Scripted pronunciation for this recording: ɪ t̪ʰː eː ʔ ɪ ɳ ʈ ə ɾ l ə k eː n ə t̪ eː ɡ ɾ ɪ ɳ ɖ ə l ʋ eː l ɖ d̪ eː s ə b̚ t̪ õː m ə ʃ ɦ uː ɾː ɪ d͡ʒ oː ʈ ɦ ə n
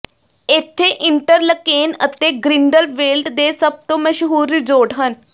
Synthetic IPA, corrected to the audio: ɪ t̪ʰː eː ʔ ɪ ɳ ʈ ə ɾ l ə k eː n ə t̪ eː ɡ ɾ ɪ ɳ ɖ ə l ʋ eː l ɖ d̪ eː s ə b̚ t̪ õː m ə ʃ ɦ uː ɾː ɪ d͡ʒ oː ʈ ɦ ə n